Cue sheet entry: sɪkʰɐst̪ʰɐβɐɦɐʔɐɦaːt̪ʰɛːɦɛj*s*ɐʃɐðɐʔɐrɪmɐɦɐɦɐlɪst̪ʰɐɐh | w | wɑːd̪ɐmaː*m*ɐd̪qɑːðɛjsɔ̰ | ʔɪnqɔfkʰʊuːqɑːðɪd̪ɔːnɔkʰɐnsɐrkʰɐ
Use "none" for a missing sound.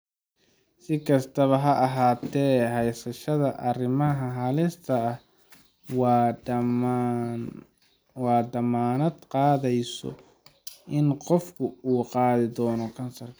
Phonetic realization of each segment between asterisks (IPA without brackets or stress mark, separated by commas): s, n